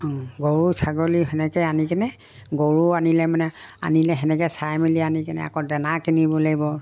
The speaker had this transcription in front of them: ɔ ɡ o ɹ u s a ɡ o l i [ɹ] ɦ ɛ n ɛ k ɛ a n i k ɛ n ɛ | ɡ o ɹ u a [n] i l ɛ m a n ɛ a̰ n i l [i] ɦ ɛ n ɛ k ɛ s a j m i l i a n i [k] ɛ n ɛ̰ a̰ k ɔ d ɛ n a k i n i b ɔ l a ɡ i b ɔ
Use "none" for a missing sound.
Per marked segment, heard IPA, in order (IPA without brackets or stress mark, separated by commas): none, n, ɛ, k